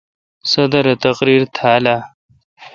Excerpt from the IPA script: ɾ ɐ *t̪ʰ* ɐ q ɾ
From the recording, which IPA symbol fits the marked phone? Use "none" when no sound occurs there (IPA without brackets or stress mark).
t̪